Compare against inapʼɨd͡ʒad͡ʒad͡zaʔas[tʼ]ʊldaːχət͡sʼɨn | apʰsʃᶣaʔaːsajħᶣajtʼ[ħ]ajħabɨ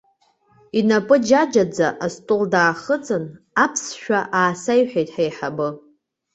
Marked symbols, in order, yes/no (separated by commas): yes, yes